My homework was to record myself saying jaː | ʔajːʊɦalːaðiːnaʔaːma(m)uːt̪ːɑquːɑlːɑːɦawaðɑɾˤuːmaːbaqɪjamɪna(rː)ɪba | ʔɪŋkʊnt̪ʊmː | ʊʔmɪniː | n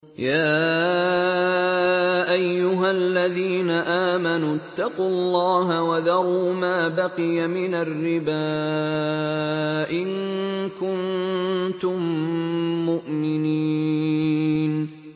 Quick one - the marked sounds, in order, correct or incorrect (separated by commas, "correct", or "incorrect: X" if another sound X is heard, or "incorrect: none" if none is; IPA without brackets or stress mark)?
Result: incorrect: n, correct